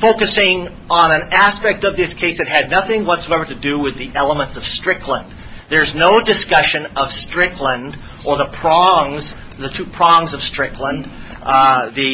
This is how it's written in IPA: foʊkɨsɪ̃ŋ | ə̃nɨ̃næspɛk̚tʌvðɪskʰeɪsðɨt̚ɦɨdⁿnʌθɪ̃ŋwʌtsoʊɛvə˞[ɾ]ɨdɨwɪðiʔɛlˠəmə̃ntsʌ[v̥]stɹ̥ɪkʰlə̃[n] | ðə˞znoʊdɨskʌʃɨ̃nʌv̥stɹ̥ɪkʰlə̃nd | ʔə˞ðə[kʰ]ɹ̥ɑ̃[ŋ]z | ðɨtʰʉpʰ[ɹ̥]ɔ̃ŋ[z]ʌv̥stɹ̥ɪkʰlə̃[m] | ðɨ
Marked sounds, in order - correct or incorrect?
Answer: correct, correct, correct, incorrect: pʰ, correct, correct, correct, incorrect: n

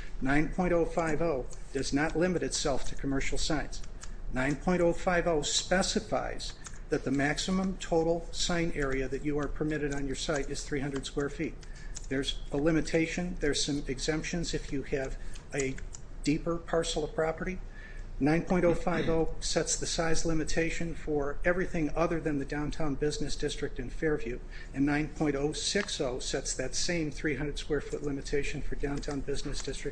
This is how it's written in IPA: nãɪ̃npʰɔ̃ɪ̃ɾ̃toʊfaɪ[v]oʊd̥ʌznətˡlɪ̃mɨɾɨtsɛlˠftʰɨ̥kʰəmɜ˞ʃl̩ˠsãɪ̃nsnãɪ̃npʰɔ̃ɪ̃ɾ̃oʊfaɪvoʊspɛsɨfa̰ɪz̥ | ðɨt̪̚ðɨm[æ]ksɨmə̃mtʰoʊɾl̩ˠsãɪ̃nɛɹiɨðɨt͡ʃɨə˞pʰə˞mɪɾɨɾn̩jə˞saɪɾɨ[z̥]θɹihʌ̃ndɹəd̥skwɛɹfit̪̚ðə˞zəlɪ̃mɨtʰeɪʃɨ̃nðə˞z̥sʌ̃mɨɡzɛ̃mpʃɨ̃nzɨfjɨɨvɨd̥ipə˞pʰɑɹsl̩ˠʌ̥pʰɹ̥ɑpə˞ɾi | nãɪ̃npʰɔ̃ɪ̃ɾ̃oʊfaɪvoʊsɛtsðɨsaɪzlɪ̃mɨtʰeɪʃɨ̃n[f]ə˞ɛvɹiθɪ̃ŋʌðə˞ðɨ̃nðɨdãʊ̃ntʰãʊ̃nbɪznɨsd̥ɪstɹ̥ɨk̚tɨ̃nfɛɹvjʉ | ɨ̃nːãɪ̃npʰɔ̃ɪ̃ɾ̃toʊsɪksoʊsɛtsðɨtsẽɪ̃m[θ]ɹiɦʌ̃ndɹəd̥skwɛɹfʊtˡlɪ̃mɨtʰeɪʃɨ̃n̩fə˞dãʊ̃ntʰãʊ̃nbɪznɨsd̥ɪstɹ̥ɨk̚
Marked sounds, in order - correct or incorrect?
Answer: correct, correct, correct, correct, correct

